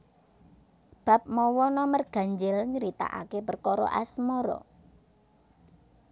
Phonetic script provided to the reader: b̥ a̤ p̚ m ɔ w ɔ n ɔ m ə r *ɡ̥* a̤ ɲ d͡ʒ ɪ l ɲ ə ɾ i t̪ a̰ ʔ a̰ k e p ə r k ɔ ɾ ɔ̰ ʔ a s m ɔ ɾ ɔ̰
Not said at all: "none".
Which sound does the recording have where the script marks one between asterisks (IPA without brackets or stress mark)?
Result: ɡ̥